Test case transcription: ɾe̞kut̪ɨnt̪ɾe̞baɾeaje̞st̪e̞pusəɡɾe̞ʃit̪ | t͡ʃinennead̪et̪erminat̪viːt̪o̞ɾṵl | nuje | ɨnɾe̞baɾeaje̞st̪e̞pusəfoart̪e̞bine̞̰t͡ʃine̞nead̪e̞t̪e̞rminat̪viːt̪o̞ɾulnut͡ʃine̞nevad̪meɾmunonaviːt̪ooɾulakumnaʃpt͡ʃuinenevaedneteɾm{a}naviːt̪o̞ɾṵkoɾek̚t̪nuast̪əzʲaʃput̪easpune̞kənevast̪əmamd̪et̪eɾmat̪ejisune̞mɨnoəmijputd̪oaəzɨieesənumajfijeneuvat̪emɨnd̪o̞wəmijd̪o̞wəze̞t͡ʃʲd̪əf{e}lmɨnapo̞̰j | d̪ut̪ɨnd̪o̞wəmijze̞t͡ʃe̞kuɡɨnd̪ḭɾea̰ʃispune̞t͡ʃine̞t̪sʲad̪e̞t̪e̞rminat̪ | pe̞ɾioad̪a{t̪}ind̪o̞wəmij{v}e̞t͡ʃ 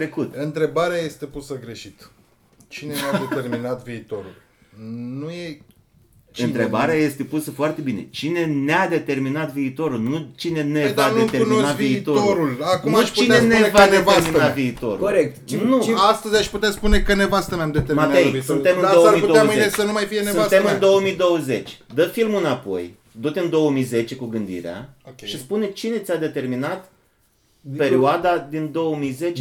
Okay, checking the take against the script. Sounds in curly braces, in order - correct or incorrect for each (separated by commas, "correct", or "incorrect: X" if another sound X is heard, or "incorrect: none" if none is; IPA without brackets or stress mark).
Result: incorrect: i, incorrect: i, incorrect: d̪, incorrect: z